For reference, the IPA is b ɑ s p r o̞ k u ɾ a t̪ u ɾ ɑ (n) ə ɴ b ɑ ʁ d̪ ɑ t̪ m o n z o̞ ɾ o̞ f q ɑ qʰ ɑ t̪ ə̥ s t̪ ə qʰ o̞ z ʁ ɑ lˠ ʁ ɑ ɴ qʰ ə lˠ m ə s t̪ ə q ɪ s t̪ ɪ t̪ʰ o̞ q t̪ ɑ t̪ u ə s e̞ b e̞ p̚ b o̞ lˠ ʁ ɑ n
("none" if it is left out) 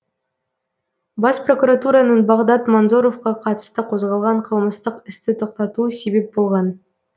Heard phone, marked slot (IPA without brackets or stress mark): n